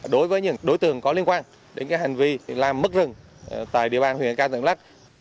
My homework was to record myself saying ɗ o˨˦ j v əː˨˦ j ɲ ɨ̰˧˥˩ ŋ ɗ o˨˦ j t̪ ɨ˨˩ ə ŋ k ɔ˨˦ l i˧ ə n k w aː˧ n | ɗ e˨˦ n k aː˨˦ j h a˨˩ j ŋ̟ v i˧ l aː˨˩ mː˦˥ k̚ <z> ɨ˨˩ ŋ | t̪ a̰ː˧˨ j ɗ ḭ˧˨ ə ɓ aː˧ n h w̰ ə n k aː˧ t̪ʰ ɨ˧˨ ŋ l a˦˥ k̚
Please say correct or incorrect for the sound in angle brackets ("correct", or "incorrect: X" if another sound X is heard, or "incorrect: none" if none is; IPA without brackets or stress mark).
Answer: correct